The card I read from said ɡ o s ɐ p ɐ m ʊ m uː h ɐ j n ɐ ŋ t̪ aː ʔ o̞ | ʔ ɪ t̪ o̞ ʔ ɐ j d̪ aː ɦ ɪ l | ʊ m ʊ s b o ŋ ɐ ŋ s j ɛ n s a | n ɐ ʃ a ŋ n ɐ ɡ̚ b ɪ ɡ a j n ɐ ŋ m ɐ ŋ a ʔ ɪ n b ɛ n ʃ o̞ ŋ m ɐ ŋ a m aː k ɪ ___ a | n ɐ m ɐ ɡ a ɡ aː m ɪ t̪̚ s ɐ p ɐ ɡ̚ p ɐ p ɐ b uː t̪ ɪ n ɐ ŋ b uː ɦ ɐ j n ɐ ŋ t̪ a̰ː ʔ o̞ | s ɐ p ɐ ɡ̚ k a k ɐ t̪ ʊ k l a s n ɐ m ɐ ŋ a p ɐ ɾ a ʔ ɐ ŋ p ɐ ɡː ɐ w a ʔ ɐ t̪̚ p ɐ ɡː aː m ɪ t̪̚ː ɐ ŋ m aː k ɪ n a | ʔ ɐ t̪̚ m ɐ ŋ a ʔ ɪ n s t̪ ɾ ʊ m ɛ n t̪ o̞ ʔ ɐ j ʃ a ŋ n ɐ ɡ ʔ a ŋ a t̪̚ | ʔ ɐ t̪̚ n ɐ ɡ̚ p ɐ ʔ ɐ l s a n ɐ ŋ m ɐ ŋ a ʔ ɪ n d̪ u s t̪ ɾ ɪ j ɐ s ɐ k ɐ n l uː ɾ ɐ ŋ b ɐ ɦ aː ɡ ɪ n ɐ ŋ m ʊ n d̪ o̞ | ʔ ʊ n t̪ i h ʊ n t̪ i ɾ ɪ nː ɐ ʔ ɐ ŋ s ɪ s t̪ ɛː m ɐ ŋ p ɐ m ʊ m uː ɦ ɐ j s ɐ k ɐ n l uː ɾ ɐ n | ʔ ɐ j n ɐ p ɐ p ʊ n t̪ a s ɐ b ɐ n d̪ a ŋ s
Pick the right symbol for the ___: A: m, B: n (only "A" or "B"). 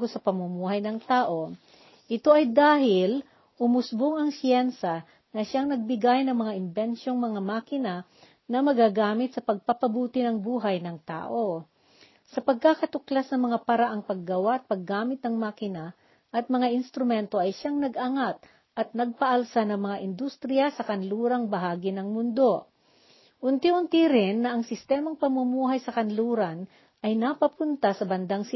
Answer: B